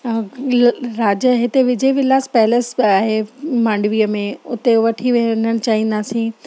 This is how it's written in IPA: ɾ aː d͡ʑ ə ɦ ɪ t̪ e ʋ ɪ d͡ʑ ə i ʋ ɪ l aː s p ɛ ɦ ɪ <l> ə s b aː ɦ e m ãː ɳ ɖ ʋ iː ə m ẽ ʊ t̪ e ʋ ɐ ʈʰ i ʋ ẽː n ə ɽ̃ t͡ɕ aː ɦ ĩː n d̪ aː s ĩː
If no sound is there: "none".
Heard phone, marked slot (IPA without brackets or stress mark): l